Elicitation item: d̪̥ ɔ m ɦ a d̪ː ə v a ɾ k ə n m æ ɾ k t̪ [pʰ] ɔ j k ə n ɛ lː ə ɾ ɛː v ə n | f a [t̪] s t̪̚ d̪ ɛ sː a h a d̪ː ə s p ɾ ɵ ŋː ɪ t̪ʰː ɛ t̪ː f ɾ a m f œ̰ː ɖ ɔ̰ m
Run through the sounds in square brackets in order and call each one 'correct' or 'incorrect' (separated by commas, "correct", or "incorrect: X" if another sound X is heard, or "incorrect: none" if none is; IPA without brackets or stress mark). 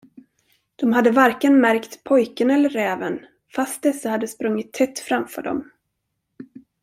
correct, incorrect: none